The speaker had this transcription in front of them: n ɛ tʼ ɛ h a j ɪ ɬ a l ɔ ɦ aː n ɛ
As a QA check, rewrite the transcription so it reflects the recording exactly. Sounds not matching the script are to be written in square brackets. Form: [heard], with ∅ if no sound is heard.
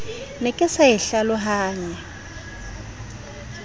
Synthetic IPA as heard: n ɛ [kʼ] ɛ [s] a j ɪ ɬ a l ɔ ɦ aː [ɲ] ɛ